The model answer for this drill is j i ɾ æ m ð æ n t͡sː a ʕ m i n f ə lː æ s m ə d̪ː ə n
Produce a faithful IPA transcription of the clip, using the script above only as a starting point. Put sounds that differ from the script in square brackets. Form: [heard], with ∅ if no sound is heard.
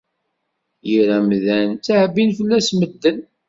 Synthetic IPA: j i ɾ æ m ð æ n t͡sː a ʕ [b] i n f ə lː æ s m ə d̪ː ə n